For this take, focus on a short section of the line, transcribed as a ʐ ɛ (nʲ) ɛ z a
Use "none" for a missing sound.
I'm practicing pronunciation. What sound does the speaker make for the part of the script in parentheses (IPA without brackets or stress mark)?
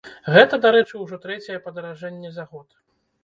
nʲː